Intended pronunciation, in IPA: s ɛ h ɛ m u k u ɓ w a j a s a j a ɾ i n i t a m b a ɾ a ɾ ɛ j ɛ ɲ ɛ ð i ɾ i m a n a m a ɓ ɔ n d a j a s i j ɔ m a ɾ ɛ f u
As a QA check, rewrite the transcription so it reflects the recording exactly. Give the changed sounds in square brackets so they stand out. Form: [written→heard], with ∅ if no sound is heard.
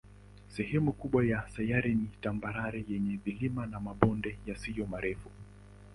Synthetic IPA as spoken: s ɛ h ɛ m u k u ɓ w a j a s a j a ɾ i n i t a m b a ɾ a ɾ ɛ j ɛ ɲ ɛ ð i [ɾ→l] i m a n a m a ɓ ɔ n d [a→ɛ] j a s i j ɔ m a ɾ ɛ f u